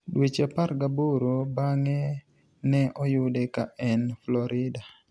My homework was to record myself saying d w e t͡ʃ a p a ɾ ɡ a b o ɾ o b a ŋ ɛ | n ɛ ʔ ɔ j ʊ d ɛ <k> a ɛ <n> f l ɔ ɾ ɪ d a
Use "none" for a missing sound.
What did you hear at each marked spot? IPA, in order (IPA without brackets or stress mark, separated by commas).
k, n